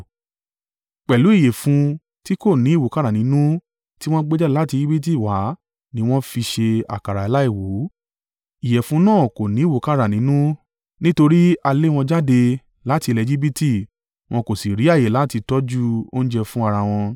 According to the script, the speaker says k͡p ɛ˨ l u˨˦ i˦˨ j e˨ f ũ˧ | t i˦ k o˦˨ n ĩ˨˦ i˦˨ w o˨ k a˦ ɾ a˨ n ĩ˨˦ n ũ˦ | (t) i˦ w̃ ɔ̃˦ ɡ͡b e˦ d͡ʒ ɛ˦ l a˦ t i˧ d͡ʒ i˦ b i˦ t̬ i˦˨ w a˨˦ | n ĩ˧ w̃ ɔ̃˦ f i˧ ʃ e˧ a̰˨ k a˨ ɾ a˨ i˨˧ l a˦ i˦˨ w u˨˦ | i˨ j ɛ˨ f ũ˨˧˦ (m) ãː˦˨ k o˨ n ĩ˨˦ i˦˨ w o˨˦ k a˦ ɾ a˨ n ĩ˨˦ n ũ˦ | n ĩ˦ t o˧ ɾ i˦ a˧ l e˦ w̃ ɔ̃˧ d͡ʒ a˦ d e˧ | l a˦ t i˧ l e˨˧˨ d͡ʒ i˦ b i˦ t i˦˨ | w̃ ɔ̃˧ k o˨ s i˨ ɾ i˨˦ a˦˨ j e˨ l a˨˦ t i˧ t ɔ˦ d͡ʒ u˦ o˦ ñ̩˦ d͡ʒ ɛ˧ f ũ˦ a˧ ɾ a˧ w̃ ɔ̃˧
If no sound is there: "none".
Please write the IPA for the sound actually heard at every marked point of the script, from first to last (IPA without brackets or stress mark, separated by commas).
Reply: t, n